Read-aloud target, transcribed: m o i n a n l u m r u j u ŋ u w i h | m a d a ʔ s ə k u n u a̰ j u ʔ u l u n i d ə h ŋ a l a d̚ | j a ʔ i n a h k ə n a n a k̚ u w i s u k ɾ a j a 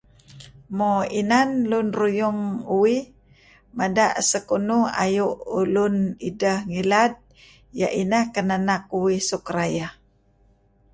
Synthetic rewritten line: m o i n a n l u n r u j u ŋ u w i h | m a d a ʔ s ə k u n u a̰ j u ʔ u l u n i d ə h ŋ i l a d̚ | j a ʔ i n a h k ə n a n a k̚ u w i s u k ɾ a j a